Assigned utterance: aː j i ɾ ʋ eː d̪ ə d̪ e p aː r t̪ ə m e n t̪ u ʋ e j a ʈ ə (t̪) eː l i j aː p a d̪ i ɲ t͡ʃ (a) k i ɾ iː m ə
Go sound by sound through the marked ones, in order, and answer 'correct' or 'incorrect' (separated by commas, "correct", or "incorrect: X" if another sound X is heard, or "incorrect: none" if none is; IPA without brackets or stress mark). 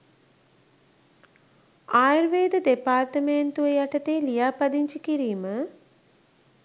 correct, incorrect: i